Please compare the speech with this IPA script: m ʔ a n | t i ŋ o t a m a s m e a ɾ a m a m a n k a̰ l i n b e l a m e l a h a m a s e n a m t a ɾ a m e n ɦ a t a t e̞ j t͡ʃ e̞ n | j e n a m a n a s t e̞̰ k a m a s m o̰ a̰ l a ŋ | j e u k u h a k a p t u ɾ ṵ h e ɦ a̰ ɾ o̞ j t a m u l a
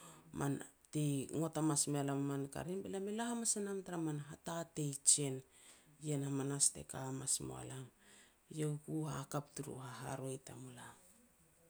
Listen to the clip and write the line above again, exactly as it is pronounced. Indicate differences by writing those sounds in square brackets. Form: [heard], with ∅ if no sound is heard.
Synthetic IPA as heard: m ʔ a n | t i ŋ o t a m a s m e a [l] a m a m a n k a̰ [ɾ] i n b e l a m e l a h a m a s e n a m t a ɾ a m [a] n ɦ a t a t e̞ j t͡ʃ e̞ n | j e n a m a n a s t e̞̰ k a m a s m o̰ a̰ l a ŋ | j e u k u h a k a p t u ɾ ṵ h [a] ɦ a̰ ɾ o̞ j t a m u l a